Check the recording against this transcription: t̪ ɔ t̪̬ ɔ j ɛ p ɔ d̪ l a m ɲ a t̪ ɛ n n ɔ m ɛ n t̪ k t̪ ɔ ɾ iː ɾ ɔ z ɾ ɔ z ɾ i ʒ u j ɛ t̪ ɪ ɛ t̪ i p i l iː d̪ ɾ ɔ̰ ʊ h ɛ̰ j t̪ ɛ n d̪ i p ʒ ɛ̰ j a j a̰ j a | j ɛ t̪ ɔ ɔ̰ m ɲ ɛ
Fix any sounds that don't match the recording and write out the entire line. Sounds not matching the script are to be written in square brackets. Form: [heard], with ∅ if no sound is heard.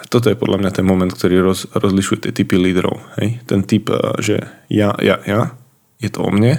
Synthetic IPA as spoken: t̪ ɔ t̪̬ ɔ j ɛ p ɔ d̪ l a m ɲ a t̪ ɛ n [m] ɔ m ɛ n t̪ k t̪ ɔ ɾ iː ɾ ɔ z ɾ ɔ z [l] i [ʃ] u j ɛ t̪ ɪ ɛ t̪ i p i l iː d̪ ɾ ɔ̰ ʊ h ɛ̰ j t̪ ɛ n [t̪] i p ʒ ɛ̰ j a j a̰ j a | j ɛ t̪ ɔ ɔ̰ m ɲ ɛ